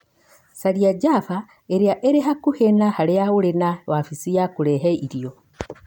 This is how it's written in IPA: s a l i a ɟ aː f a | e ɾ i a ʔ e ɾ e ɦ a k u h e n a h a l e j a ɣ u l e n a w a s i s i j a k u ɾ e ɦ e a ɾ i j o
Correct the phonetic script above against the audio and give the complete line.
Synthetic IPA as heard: s a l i a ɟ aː f a | e ɾ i a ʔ e ɾ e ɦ a k u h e n a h a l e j a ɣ u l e n a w a f i s i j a k u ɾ e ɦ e i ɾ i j o